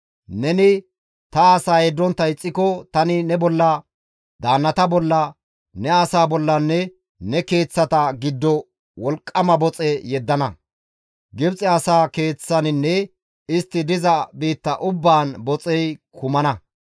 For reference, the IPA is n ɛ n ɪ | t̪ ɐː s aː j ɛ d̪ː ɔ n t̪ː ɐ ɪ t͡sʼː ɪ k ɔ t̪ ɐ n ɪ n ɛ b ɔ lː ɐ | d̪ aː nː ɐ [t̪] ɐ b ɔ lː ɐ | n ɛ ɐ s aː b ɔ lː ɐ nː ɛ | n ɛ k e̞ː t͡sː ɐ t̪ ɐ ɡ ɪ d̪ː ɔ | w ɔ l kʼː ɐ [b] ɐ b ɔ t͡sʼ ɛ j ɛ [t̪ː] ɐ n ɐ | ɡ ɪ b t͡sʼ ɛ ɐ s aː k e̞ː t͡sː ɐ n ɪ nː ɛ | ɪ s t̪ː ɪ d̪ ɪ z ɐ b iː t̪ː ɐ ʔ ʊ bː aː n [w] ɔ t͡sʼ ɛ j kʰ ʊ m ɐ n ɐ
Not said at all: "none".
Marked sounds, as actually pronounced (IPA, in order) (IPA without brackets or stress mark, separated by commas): t̪, m, d̪ː, b